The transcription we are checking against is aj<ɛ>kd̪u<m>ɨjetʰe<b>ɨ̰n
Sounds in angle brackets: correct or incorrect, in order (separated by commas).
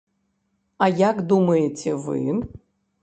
incorrect, correct, incorrect